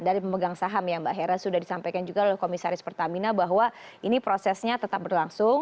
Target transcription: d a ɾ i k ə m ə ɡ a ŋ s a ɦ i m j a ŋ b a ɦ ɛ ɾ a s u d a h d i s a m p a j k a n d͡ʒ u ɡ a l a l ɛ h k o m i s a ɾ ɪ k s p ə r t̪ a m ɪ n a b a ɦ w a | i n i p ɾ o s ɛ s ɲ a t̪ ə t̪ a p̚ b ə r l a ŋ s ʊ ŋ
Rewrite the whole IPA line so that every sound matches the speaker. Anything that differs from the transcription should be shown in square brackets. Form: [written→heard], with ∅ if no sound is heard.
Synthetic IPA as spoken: d a ɾ i [k→p] ə m ə ɡ a ŋ s a ɦ [i→a] m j a ŋ b a ɦ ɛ ɾ a s u d a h d i s a m p a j k a n d͡ʒ u ɡ a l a l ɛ h k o m i s a ɾ ɪ [k→∅] s p ə r t̪ a m [ɪ→i] n a b a ɦ w a | i n i p ɾ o s ɛ s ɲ a t̪ ə t̪ a p̚ b ə r l a ŋ s ʊ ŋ